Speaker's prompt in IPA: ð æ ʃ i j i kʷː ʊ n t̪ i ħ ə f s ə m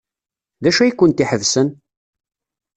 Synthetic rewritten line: ð æ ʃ æ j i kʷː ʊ n t̪ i ħ ə v s ə n